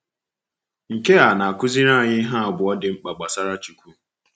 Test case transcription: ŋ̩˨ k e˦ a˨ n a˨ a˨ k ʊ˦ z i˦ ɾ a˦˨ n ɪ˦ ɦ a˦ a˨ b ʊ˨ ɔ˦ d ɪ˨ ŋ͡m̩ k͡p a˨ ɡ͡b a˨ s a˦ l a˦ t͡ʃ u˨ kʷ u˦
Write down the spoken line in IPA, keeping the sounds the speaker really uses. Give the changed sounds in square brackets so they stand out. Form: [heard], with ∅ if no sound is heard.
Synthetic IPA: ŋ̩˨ k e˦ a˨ n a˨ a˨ k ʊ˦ z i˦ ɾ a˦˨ [ɲ] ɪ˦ ɦ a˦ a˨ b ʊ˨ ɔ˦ d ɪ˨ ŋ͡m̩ k͡p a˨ ɡ͡b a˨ s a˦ [ɾ] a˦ t͡ʃ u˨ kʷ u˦